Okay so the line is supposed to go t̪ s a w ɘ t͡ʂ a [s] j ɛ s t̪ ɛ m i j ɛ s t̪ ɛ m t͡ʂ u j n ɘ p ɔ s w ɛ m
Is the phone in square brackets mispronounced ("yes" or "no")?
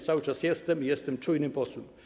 no